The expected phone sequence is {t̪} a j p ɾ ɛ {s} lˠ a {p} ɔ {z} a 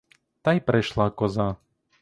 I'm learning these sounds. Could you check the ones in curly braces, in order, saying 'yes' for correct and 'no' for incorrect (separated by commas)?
yes, no, no, yes